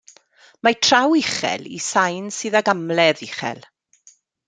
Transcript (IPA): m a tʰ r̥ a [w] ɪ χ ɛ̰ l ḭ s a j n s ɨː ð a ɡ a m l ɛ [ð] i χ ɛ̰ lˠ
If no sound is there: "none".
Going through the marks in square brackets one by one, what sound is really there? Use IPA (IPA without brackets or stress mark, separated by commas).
w, ð